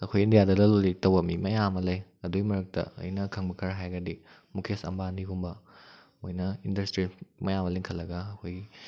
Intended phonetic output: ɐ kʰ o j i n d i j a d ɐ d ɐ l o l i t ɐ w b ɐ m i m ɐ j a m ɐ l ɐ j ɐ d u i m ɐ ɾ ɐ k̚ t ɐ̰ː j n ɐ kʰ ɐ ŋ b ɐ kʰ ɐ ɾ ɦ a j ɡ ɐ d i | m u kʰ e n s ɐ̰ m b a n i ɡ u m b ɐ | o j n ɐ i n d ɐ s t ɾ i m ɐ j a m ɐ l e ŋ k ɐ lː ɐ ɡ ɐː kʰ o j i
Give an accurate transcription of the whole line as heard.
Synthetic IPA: ɐ kʰ o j i n d i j a d ɐ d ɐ l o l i t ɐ w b ɐ m i m ɐ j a m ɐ l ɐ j ɐ d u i m ɐ ɾ ɐ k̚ t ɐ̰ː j n ɐ kʰ ɐ ŋ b ɐ kʰ ɐ ɾ ɦ a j ɡ ɐ d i | m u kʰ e s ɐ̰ m b a n i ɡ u m b ɐ | o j n ɐ i n d ɐ s t ɾ i m ɐ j a m ɐ l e ŋ kʰ ɐ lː ɐ ɡ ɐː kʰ o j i